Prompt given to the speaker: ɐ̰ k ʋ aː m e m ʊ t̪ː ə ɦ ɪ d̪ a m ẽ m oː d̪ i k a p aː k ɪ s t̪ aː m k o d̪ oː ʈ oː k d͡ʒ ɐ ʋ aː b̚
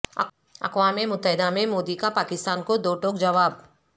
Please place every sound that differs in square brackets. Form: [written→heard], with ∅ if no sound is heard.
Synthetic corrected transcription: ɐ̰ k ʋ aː m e m ʊ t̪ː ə ɦ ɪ d̪ a m ẽ m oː d̪ i k a p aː k ɪ s t̪ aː [m→n] k o d̪ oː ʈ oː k d͡ʒ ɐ ʋ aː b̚